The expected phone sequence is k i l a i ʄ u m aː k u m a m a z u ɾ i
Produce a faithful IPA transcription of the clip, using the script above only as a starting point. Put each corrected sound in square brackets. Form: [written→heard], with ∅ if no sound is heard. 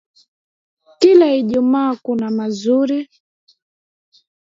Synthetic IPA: k i l a i ʄ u m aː k u [m→n] a m a z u ɾ i